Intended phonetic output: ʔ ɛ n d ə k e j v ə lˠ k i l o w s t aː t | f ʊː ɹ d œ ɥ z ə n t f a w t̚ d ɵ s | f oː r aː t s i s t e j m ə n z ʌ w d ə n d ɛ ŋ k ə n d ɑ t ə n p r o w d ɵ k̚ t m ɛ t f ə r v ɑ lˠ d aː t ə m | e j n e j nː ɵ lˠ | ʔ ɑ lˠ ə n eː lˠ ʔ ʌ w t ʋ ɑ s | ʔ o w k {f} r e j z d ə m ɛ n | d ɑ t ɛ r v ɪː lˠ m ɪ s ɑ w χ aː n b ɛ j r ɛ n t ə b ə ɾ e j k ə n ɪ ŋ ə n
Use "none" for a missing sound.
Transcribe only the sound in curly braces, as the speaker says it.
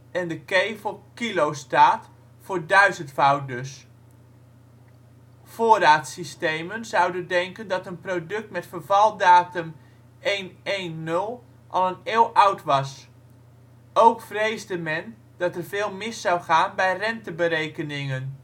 f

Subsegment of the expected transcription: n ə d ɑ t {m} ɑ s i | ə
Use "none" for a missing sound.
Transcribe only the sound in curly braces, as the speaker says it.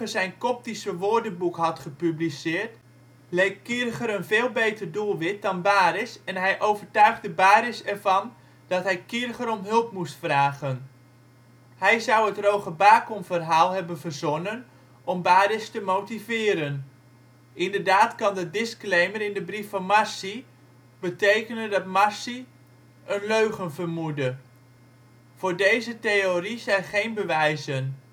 m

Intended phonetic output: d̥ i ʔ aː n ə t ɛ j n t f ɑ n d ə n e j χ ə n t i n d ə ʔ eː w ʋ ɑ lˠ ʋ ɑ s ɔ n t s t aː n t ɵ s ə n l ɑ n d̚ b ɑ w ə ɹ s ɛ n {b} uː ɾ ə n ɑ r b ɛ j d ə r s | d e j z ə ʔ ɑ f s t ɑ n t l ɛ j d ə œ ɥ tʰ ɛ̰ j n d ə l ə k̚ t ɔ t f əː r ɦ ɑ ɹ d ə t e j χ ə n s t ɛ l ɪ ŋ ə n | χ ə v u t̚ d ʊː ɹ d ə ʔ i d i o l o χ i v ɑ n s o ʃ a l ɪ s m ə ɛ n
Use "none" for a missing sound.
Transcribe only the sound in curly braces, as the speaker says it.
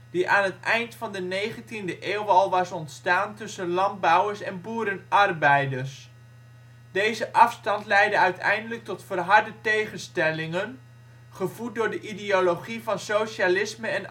b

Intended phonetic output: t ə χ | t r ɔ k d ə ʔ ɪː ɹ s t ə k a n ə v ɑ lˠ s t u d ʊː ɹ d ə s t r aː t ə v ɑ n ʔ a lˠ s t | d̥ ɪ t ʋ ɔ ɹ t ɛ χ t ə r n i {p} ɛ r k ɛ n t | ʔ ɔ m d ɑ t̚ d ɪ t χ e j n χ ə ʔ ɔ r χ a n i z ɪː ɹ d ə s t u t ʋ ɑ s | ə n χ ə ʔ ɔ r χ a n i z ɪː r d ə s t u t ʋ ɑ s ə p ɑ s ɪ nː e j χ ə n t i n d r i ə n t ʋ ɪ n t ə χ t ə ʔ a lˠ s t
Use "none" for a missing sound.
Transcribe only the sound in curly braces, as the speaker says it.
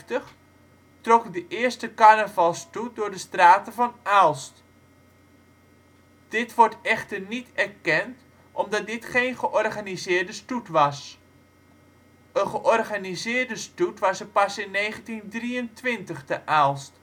t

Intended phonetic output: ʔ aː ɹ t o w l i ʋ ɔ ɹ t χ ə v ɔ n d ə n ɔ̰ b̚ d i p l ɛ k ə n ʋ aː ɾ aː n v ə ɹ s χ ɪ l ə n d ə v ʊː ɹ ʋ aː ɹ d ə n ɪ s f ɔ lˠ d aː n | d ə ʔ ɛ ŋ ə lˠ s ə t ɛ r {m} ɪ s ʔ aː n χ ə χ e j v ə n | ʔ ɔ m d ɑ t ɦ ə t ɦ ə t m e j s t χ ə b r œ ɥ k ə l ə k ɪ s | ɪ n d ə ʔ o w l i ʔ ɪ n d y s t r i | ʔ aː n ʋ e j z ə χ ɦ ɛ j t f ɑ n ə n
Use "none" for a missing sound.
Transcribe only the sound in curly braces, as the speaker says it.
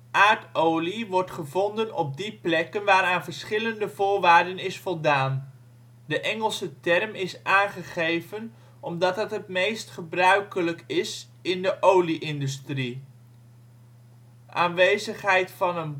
m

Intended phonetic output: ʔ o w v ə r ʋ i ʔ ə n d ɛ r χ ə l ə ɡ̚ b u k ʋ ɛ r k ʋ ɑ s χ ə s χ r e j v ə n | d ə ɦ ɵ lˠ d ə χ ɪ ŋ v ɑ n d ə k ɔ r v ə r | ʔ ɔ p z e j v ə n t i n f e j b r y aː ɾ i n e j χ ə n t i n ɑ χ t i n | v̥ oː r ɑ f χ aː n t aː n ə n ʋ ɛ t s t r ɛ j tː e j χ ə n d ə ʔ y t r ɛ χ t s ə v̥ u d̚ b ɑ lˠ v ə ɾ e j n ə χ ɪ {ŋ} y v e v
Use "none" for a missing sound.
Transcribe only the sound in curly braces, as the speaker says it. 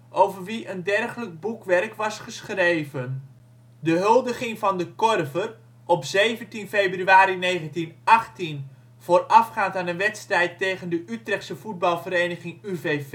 ŋ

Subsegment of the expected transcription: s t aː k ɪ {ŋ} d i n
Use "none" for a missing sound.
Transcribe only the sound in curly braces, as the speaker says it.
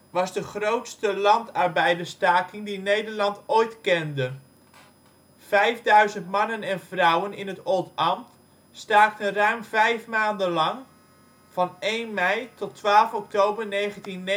ŋ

